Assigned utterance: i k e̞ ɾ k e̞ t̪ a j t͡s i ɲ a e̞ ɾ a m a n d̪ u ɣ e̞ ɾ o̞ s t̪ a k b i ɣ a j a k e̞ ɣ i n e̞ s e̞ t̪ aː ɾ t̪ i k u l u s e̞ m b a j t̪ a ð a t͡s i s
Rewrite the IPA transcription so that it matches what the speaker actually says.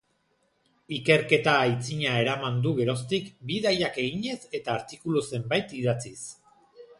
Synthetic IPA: i k e̞ ɾ k e̞ t̪ a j t͡s i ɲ a e̞ ɾ a m a n d̪ u ɣ e̞ ɾ o̞ s t̪ i k b i ð a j a k e̞ ɣ i ɲ e̞ s e̞ t̪ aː ɾ t̪ i k u l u s e̞ m b a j t̪ i ð a t͡s i s